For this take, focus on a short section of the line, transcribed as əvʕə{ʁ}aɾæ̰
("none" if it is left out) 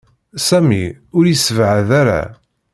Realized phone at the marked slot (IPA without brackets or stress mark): ð